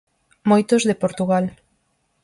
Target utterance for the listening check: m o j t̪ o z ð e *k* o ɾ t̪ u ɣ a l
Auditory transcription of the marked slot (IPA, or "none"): p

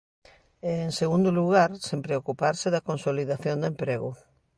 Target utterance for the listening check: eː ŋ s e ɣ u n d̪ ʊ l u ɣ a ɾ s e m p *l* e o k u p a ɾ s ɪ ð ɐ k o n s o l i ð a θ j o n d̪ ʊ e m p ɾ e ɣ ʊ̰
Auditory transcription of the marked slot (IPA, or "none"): ɾ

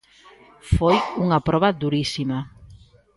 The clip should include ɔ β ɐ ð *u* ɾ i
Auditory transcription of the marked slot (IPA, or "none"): u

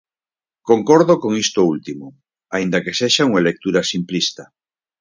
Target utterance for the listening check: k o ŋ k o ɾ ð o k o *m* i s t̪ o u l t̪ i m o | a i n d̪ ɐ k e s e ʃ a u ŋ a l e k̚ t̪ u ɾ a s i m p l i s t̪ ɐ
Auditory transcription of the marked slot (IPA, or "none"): ŋ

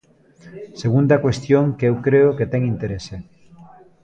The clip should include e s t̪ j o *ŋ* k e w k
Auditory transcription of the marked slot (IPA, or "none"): ŋ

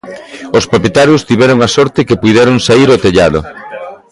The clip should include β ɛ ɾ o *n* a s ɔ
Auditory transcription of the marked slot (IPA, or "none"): ŋ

